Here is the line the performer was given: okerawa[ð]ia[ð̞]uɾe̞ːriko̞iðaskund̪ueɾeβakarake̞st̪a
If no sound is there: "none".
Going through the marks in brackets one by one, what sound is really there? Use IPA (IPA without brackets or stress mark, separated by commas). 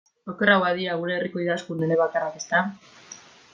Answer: ð, ɣ̞